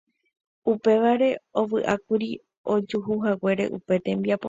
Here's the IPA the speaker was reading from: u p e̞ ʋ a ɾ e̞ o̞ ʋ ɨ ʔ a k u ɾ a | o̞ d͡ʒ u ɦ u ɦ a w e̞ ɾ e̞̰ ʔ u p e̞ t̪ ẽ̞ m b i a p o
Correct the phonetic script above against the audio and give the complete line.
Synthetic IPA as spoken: u p e̞ ʋ a ɾ e̞ o̞ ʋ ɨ ʔ a k u ɾ i | o̞ d͡ʒ u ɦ u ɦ a w e̞ ɾ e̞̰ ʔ u p e̞ t̪ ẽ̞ m b i a p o